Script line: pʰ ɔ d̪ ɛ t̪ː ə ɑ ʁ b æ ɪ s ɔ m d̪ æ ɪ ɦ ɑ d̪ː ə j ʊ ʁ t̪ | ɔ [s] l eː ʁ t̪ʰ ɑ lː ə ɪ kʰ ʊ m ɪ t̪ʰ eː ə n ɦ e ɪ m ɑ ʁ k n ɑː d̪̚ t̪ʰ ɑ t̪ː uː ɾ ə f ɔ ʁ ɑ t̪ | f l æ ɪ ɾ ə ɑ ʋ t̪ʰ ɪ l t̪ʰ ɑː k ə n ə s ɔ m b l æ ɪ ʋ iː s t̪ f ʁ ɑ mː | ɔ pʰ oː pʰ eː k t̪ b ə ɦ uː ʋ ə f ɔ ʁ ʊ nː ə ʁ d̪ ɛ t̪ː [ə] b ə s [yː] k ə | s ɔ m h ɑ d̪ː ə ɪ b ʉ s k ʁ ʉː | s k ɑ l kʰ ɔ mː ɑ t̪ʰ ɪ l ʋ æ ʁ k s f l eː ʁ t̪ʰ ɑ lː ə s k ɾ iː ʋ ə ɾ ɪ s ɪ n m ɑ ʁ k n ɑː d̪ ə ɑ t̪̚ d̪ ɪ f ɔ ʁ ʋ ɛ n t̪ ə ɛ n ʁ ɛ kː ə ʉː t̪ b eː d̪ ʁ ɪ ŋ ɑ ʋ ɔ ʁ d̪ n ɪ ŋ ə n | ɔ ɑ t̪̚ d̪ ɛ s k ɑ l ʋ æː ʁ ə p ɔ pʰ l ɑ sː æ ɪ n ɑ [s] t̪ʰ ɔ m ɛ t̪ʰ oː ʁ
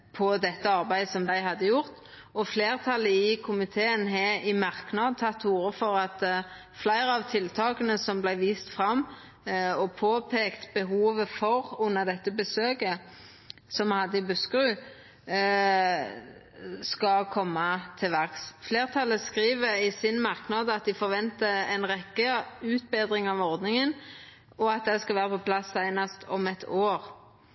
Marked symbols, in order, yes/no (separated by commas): no, yes, no, yes